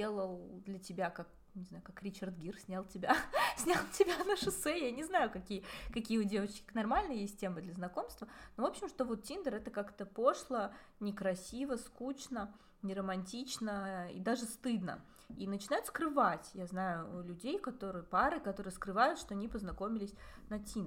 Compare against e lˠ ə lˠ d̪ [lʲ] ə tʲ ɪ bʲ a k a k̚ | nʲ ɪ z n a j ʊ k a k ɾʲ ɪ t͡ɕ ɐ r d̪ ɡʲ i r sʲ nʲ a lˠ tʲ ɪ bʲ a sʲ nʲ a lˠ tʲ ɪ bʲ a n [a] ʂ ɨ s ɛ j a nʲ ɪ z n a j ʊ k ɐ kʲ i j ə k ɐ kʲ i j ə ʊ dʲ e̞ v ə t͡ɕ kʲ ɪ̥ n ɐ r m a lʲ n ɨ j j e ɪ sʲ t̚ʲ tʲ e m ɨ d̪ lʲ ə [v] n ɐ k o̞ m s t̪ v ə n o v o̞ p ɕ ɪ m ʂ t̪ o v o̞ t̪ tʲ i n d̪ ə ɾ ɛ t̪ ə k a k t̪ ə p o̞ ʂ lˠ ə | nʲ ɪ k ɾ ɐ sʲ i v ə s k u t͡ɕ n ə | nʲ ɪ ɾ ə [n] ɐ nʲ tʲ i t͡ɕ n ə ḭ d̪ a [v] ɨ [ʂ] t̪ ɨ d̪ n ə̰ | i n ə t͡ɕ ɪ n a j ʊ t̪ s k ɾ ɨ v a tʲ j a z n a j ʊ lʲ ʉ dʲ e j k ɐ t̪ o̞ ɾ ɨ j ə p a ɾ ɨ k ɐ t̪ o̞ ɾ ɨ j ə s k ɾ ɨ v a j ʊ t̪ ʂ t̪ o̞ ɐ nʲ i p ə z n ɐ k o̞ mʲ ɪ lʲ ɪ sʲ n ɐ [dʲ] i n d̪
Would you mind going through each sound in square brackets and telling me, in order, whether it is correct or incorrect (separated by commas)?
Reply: correct, incorrect, incorrect, incorrect, incorrect, incorrect, incorrect